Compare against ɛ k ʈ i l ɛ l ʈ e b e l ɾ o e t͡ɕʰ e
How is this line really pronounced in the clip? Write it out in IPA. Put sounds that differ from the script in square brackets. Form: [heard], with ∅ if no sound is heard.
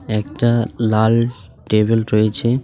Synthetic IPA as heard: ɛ k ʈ [a] l [a] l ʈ e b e l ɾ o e t͡ɕʰ e